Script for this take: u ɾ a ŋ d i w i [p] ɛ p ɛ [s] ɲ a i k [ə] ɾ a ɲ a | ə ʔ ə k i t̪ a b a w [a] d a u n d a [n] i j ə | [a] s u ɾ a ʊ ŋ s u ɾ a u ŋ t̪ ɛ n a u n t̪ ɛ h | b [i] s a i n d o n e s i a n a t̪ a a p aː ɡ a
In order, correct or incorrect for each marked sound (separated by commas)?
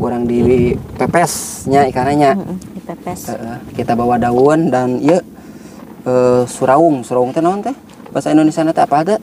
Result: correct, correct, incorrect, correct, correct, incorrect, incorrect